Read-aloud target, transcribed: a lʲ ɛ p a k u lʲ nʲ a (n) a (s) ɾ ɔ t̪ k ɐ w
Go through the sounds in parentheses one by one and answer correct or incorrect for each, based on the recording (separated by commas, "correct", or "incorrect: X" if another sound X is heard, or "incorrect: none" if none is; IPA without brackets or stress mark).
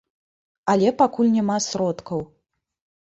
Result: incorrect: m, correct